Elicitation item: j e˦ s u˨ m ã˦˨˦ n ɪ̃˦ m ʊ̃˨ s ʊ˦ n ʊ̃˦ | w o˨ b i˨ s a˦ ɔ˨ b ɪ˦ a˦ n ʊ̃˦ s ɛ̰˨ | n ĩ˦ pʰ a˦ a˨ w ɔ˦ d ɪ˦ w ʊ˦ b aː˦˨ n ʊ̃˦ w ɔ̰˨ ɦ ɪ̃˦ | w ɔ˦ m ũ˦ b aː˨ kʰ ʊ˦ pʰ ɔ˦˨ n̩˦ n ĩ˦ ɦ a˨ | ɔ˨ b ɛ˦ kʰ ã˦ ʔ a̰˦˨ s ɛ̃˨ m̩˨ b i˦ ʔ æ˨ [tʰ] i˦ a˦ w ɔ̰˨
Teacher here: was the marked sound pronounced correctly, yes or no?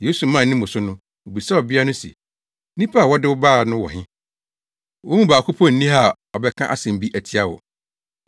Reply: yes